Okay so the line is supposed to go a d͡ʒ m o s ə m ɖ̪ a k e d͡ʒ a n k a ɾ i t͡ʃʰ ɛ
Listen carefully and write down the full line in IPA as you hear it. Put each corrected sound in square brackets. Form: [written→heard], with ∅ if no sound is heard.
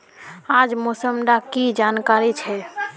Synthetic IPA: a d͡ʒ m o s ə m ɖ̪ a k [e→i] d͡ʒ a n k a ɾ i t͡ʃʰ ɛ